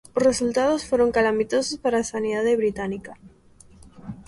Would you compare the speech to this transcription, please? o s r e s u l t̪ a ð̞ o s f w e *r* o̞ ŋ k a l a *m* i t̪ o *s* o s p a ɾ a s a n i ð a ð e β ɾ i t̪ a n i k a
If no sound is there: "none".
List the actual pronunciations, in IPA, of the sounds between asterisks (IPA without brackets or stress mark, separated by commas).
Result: ɾ, m, s